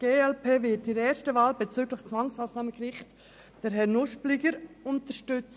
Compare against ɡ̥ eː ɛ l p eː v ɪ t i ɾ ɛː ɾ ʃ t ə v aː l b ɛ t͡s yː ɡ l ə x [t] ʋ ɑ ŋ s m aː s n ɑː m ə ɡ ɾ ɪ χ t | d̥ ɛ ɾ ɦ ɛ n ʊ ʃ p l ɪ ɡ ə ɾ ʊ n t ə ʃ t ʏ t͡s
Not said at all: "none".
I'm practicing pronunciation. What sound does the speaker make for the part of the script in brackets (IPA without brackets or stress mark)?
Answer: t͡s